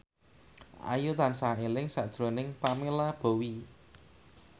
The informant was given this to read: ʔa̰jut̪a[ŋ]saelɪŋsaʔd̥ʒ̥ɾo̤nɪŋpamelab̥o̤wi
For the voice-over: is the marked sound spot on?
no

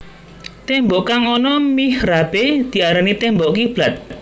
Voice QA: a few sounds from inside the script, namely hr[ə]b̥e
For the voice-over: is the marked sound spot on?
no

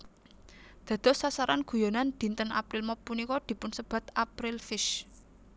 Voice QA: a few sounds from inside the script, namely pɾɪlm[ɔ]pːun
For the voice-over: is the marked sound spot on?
yes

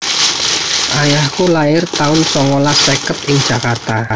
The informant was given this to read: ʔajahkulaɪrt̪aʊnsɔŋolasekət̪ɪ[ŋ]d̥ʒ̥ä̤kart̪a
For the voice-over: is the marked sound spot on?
yes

